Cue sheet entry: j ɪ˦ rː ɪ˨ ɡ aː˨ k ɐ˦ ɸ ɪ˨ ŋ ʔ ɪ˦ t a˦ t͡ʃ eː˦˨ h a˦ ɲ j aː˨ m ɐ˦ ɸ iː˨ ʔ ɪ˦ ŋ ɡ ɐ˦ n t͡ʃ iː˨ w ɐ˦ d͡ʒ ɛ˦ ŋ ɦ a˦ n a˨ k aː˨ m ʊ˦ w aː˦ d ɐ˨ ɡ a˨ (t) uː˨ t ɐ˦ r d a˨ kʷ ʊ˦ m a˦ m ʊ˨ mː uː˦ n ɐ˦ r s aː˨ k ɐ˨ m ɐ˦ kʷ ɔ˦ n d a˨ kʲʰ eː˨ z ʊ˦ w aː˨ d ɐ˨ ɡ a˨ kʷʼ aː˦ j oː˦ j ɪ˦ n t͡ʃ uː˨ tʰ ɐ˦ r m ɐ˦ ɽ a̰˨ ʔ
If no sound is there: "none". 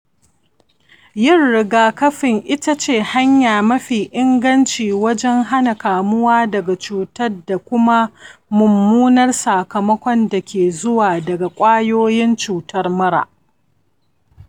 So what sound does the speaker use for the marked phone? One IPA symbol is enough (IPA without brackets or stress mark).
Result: t͡ʃ